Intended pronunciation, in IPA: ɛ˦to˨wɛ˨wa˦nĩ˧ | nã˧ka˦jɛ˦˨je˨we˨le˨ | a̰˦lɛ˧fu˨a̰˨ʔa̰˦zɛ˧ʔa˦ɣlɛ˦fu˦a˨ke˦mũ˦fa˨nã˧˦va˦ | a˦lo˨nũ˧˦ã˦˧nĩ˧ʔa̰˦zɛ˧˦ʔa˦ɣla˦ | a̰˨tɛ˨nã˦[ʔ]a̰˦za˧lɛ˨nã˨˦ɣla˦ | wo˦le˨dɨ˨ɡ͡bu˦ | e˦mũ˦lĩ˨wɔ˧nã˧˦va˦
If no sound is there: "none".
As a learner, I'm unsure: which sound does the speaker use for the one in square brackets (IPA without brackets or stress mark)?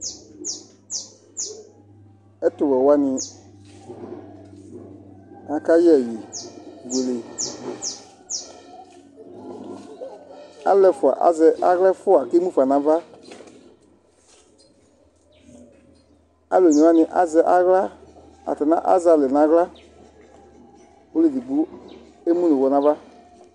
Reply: ʔ